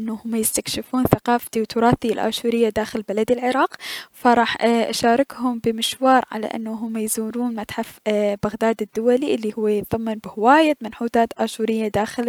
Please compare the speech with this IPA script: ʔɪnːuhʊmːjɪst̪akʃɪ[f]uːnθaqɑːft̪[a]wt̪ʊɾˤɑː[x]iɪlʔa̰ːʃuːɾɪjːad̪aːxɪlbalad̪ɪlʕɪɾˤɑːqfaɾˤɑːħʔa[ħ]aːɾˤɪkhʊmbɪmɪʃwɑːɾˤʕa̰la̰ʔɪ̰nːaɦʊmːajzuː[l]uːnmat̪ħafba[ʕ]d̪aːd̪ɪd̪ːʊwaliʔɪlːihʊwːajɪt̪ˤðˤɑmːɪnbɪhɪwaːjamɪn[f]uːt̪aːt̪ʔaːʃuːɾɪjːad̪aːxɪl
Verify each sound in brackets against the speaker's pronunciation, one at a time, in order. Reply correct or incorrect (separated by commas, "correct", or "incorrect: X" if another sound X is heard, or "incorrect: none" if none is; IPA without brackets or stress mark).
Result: correct, incorrect: i, incorrect: θ, incorrect: ʃ, incorrect: ɾ, incorrect: ɣ, incorrect: ħ